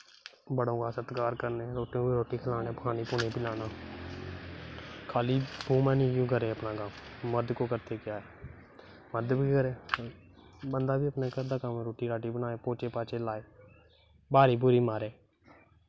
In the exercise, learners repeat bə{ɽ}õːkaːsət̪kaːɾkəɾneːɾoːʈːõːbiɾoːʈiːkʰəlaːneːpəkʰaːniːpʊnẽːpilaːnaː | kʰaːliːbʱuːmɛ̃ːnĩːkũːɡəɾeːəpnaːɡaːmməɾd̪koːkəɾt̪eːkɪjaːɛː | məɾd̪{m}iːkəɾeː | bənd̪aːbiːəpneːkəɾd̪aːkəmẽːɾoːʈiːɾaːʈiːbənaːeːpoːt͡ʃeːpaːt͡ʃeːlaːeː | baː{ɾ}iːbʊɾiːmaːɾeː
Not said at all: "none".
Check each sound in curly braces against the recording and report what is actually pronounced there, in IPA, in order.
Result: ɽ, b, ɾ

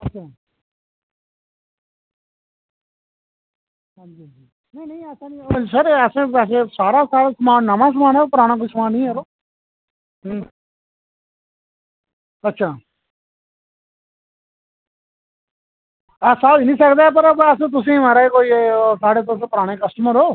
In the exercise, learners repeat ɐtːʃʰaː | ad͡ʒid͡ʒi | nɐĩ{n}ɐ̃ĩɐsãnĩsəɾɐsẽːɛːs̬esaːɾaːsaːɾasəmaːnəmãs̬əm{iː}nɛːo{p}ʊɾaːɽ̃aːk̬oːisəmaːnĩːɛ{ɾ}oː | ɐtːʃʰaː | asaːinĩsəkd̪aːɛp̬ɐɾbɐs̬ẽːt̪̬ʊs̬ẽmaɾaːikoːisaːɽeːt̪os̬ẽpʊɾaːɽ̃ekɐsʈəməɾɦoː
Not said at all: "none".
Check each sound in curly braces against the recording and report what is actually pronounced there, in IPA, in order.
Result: n, aː, p, ɾ

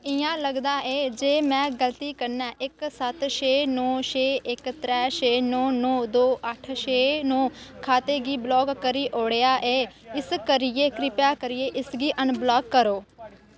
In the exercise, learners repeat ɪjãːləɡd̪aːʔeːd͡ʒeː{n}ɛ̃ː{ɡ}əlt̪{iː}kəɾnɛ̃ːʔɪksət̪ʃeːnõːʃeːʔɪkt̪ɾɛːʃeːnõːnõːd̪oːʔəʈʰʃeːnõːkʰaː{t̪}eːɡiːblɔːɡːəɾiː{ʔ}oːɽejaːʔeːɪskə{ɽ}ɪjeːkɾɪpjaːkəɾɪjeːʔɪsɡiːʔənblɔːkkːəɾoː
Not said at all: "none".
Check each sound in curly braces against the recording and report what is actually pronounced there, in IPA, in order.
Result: m, ɡ, iː, t̪, ʔ, ɾ

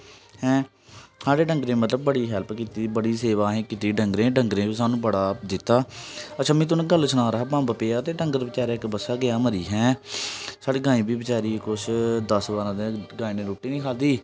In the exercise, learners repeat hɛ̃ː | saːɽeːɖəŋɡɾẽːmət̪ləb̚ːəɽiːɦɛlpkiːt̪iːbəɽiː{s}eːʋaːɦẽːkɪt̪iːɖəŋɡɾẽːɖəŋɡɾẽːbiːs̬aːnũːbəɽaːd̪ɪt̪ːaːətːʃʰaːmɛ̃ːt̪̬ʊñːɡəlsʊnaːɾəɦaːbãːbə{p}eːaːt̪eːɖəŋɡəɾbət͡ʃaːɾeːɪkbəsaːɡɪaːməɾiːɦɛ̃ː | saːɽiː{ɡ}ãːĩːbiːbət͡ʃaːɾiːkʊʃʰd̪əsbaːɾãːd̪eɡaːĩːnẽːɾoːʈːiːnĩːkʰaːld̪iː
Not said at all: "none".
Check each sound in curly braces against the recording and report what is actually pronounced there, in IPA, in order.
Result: s, p, ɡ

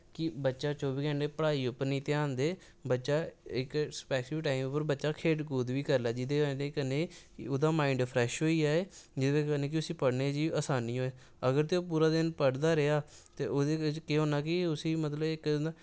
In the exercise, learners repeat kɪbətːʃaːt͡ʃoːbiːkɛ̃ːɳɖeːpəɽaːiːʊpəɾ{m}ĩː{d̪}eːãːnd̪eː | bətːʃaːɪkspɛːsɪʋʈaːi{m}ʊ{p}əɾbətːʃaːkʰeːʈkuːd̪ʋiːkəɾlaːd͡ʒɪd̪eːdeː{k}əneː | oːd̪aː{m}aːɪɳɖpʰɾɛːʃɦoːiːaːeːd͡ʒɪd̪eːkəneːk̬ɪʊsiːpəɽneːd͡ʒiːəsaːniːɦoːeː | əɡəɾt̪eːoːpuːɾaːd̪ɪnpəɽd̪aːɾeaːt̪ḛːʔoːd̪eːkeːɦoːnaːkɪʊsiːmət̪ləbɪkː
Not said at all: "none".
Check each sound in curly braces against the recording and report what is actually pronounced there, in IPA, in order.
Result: n, t̪, m, p, k, m

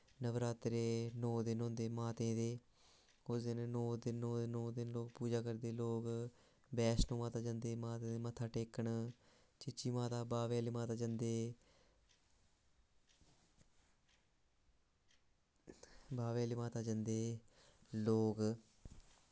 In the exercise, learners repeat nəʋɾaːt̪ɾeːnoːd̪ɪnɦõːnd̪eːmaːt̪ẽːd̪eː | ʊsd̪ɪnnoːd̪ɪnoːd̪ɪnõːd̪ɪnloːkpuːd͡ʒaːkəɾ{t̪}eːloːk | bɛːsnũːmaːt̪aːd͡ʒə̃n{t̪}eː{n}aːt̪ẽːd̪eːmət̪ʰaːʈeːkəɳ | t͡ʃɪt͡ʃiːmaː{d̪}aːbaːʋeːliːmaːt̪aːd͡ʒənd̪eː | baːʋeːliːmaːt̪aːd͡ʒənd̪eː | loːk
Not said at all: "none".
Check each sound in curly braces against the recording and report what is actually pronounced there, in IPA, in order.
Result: d̪, d̪, m, t̪

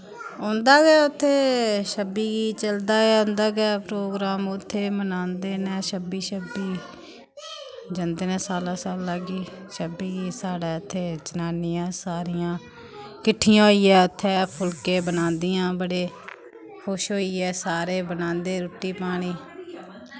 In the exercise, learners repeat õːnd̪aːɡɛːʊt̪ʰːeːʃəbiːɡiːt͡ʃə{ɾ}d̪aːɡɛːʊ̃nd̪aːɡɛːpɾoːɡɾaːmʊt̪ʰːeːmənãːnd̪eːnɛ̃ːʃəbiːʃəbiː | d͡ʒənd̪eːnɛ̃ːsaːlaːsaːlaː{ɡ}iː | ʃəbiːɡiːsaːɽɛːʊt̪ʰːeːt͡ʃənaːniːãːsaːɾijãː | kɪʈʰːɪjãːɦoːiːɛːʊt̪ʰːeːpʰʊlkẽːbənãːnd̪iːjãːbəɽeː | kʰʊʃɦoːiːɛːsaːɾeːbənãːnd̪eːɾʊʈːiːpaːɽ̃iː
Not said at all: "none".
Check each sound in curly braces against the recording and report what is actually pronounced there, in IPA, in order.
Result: l, ɡ

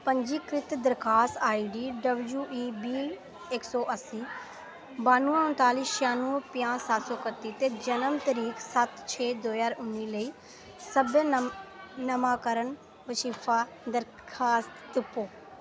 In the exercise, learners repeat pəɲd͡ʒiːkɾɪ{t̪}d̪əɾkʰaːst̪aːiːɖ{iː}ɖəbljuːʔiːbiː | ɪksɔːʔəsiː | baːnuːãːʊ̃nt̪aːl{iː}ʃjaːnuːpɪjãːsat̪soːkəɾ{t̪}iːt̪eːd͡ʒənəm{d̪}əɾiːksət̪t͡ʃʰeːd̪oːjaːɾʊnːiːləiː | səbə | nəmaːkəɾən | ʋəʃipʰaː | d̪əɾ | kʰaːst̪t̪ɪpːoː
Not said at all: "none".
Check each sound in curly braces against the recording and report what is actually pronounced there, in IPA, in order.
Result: t̪, iː, iː, t̪, t̪

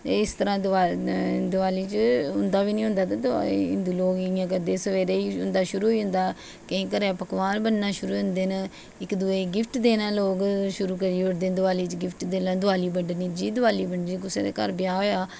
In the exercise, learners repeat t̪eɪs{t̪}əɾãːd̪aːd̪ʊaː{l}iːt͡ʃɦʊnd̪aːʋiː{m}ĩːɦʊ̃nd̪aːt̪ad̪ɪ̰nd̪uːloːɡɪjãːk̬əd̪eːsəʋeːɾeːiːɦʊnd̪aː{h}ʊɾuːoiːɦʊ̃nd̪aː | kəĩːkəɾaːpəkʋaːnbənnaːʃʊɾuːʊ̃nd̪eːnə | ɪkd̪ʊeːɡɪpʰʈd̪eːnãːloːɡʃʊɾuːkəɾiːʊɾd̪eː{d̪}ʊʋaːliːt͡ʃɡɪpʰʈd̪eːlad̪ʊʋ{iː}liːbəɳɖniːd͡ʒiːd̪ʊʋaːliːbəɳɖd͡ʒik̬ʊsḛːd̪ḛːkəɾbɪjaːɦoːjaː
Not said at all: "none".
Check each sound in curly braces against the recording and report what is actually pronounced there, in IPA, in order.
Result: t̪, l, n, ʃ, d̪, aː

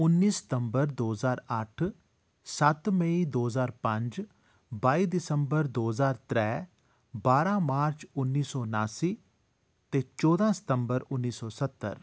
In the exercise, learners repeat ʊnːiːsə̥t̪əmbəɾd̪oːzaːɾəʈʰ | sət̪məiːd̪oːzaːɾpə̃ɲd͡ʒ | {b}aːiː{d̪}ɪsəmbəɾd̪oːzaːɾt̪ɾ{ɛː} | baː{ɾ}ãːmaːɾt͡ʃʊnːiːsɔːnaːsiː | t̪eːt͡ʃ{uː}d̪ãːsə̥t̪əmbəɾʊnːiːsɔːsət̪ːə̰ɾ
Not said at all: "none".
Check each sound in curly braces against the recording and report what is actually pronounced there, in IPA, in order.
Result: b, d̪, ɛː, ɾ, ɔː

